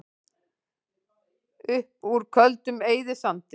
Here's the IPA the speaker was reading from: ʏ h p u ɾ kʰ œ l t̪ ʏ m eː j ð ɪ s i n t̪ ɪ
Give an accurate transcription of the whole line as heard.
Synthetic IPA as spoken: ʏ h p u ɾ kʰ œ l t̪ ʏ m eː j ð ɪ s a n t̪ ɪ

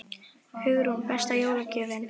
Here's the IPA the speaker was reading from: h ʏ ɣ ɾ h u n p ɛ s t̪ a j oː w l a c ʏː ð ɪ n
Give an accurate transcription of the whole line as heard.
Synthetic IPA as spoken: h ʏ ɣ ɾ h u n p ɛ s t̪ a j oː w l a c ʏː v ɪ n

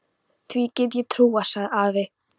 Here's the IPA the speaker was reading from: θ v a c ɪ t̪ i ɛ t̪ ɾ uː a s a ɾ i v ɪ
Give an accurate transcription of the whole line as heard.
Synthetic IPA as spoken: θ v i c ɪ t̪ j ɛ t̪ʰ ɾ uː a s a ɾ a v ɪ

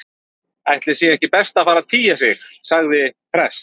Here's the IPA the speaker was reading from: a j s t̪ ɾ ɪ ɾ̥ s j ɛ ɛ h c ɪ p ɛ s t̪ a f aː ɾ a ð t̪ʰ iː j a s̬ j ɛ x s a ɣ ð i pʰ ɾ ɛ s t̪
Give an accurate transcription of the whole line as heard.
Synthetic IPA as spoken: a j h t̪ l ɪ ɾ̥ s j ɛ ɛ h c ɪ p ɛ s t̪ a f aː ɾ a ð t̪ʰ iː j a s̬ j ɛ x s a ɣ ð ɪ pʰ ɾ ɛ s t̪

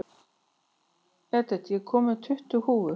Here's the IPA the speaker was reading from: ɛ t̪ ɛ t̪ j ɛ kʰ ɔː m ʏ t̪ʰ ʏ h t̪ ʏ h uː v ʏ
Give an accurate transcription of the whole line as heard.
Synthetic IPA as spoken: ɛ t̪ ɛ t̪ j ɛ kʰ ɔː m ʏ t̪ʰ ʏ h t̪ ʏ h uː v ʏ

